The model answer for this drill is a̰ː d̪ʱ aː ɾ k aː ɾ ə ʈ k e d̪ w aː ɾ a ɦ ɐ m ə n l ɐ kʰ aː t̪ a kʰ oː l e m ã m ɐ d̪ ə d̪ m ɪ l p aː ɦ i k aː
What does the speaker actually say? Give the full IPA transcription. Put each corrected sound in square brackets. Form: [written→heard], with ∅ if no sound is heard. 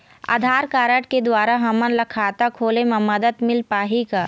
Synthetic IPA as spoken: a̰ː d̪ʱ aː ɾ k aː ɾ ə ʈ k e d̪ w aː ɾ a ɦ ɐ m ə n l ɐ kʰ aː t̪ a kʰ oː l e m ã m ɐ d̪ ə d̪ m ɪ l p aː ɦ i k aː